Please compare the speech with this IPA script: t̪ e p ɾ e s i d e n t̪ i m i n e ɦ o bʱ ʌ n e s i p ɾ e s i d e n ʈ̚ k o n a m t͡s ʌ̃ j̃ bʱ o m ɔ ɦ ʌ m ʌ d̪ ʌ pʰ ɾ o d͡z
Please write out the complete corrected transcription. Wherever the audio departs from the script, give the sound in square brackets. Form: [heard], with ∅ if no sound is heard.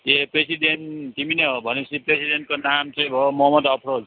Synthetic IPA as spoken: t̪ e p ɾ e s i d e n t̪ i m i n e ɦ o bʱ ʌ n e s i p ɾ e s i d e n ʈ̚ k o n a m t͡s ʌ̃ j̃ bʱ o m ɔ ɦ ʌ m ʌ d̪ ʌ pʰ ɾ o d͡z